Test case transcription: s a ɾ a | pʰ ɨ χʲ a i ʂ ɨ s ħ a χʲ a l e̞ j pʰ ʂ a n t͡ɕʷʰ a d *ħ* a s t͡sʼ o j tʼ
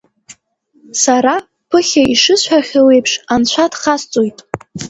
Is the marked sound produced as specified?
no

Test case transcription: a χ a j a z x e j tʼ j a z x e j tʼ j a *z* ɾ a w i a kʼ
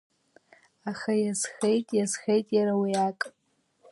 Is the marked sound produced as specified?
no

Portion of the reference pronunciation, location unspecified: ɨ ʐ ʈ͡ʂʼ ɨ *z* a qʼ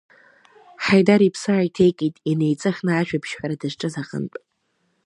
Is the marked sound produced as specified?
yes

